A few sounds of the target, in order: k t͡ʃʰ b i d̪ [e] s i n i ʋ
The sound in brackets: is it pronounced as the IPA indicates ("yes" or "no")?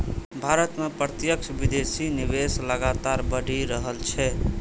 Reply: yes